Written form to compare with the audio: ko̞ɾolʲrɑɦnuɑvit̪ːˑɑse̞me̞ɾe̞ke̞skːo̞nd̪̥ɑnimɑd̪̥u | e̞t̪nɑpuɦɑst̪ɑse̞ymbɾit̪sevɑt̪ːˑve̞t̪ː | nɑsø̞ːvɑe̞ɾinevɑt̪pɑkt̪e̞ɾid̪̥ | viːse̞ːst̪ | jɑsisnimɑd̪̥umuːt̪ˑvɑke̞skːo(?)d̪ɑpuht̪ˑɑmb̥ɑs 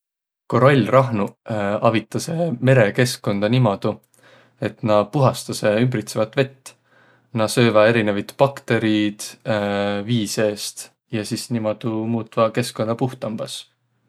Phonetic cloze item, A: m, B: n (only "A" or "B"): B